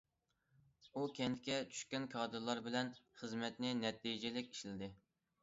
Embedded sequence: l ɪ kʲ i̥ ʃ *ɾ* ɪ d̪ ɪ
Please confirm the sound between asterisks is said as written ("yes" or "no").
no